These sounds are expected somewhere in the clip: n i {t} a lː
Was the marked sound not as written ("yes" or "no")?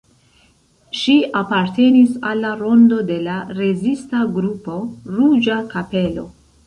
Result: yes